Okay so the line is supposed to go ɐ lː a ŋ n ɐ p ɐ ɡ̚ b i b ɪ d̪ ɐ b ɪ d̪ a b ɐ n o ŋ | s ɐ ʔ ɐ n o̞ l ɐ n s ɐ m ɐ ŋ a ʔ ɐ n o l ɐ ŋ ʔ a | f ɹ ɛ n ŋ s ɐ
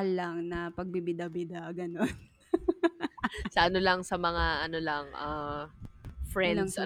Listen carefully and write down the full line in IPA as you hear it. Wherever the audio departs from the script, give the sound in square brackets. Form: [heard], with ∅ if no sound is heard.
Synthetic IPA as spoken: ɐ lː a ŋ n ɐ p ɐ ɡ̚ b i b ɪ d̪ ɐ b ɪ d̪ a [ɡ] ɐ n o [n] | s ɐ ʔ ɐ n o̞ l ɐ [ŋ] s ɐ m ɐ ŋ a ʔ ɐ n o l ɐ ŋ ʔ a | f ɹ ɛ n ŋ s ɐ